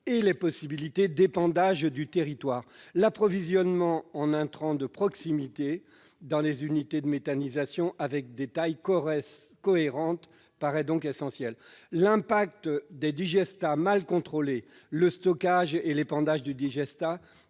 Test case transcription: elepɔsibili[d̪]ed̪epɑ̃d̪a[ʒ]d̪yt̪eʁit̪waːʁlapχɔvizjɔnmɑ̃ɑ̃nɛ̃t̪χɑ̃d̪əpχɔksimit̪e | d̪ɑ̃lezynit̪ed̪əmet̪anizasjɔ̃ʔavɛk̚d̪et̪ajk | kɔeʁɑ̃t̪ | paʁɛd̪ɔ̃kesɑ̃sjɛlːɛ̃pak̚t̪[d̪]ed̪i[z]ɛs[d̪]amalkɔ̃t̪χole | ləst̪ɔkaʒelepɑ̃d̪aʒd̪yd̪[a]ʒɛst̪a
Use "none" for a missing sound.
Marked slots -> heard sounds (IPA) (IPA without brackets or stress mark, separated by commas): t̪, ʒ, d̪, ʒ, t̪, i